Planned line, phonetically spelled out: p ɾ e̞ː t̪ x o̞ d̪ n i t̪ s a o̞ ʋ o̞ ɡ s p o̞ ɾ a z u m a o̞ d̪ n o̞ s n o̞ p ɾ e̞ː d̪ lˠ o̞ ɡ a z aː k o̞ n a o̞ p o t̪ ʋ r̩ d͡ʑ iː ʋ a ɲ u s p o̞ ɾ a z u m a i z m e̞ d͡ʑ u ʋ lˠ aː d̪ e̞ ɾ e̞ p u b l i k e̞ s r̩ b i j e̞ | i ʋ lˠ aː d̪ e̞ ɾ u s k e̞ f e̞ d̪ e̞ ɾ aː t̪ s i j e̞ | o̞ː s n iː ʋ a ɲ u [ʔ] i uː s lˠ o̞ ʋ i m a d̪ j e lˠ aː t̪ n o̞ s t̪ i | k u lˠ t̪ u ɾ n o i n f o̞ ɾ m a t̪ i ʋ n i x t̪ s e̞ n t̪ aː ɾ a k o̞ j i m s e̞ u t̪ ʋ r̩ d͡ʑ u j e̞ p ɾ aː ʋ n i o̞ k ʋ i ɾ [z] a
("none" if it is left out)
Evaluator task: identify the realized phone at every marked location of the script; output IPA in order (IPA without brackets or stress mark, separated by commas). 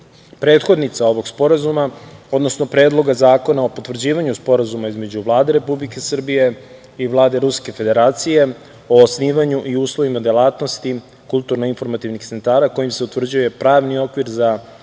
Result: ʔ, z